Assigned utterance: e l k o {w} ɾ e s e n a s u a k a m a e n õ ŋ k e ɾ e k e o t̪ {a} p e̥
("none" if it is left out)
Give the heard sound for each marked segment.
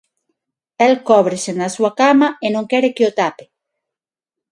β, a

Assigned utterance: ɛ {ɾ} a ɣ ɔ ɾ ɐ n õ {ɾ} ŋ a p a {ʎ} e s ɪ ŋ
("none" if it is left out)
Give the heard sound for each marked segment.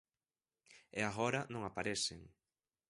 none, none, ɾ

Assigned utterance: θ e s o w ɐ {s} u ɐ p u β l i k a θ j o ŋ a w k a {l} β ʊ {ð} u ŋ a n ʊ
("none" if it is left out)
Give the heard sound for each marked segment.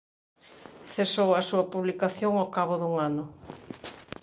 s, none, ð

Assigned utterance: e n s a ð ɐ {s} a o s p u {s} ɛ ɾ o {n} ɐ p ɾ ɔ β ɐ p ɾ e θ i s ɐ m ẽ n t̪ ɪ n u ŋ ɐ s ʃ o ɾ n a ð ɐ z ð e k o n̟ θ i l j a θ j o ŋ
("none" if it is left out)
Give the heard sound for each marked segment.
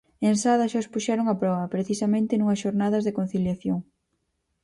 ʃ, ʃ, ŋ

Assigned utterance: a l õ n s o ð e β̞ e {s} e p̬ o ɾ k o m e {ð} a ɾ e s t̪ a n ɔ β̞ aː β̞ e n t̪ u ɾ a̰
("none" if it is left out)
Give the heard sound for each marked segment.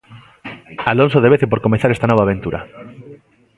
θ, θ

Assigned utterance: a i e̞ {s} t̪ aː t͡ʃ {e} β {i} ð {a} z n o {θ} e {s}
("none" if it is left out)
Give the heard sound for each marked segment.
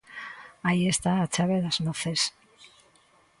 s, a, e, a, θ, s

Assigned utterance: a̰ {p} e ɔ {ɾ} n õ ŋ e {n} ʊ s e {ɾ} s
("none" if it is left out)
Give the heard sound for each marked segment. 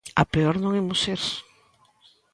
p, ɾ, m, ɾ

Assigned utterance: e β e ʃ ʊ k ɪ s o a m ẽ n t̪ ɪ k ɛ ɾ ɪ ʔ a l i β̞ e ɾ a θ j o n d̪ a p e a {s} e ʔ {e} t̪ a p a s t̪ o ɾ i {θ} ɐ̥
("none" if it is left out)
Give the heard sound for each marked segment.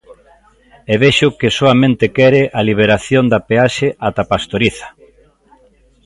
ʃ, a, θ

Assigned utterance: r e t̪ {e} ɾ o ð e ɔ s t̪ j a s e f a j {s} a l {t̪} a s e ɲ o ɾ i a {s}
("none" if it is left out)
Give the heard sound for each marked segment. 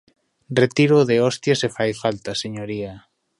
i, f, t̪, none

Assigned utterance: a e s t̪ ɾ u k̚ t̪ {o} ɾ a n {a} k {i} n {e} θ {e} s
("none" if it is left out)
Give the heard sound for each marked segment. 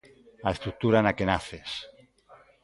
u, a, e, a, e

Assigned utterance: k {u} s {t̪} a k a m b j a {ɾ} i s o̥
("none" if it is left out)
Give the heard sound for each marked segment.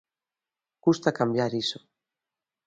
u, t̪, ɾ

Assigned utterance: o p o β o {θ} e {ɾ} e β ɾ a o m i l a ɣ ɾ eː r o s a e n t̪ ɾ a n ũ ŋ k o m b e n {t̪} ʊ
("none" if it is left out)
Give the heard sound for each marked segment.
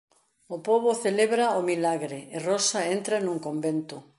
θ, l, t̪

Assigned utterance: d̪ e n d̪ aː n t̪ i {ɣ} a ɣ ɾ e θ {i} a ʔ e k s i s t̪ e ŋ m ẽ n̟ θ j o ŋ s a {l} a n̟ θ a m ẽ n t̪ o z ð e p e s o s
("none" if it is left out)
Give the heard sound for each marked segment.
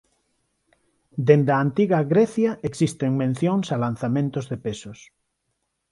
ɣ, j, l

